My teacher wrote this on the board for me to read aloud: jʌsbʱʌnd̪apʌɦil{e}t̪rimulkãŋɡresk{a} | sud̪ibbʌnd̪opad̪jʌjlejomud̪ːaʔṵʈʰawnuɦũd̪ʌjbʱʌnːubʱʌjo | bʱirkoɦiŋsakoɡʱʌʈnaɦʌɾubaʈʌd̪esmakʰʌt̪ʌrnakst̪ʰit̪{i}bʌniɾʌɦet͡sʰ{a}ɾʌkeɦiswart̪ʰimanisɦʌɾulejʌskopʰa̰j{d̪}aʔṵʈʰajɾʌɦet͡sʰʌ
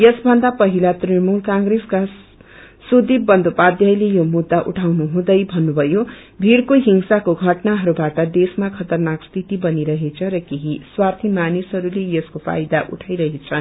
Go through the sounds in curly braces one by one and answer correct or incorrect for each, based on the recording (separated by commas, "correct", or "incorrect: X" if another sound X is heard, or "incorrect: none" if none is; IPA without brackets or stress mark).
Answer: incorrect: a, correct, correct, incorrect: ʌ, correct